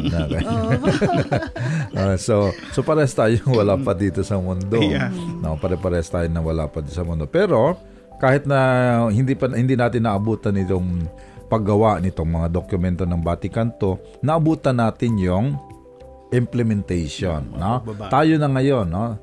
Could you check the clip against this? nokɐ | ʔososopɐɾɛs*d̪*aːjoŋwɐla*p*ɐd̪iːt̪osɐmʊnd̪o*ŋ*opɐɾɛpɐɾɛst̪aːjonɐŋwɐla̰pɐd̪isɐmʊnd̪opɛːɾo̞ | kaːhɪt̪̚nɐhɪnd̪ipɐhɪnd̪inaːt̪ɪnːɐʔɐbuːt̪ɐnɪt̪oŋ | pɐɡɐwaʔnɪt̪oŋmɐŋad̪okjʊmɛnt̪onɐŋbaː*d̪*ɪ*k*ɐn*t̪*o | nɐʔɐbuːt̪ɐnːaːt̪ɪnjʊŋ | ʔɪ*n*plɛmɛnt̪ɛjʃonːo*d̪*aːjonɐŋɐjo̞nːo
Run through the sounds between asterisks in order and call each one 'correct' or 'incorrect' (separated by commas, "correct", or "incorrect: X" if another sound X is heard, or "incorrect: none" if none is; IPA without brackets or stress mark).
incorrect: t̪, correct, incorrect: n, incorrect: t̪, correct, correct, incorrect: m, incorrect: t̪